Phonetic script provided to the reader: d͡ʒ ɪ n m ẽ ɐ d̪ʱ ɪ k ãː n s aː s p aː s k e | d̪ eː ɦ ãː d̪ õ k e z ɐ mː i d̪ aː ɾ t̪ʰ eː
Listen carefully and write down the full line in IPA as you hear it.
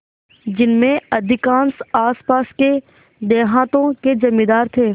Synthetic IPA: d͡ʒ ɪ n m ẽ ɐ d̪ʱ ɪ k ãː n s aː s p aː s k e | d̪ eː ɦ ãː t̪ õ k e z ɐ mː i d̪ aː ɾ t̪ʰ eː